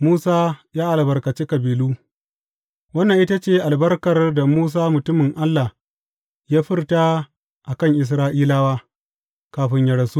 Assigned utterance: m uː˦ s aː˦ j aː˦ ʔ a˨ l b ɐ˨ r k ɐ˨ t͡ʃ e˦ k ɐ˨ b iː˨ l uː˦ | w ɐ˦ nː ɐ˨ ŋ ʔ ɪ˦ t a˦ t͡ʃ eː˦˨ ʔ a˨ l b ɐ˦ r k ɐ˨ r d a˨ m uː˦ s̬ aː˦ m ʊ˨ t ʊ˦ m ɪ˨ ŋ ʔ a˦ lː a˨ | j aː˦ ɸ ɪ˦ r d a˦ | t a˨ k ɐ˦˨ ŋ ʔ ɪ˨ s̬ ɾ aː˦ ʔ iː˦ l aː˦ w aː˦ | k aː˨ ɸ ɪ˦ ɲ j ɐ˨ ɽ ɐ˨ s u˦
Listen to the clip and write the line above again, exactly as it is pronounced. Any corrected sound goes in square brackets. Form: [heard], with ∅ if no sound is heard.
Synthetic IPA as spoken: m uː˦ s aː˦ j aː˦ ʔ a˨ l b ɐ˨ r k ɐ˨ t͡ʃ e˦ k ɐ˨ b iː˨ l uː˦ | w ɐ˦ nː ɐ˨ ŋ ʔ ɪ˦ t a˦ t͡ʃ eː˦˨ ʔ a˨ l b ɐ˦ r k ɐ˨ r d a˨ m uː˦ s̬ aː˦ m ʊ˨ t ʊ˦ m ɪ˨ ŋ ʔ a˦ lː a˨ | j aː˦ ɸ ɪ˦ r [t] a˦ | [ʔ] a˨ k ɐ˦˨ ŋ ʔ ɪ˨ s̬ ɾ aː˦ ʔ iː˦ l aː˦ w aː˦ | k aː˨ ɸ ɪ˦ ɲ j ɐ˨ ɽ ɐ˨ s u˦